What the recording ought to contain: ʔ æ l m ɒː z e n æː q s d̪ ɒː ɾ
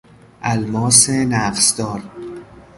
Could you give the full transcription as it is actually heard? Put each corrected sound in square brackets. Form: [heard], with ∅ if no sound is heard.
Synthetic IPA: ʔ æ l m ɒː [s] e n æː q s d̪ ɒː ɾ